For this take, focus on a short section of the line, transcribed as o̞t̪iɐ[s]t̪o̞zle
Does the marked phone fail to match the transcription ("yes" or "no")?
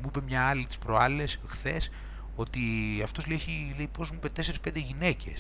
yes